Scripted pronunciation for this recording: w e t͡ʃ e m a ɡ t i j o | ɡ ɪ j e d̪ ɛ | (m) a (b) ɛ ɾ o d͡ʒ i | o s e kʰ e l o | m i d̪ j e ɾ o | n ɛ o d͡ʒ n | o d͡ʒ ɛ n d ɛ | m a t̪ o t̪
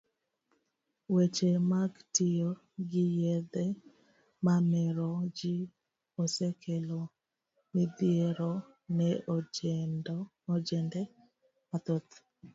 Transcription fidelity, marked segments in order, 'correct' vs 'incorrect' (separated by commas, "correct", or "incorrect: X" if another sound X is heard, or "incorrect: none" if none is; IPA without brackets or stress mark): correct, incorrect: m